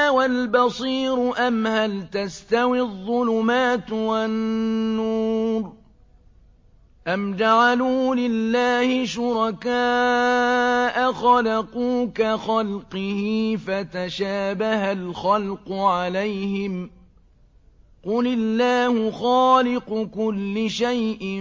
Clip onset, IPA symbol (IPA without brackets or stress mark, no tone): w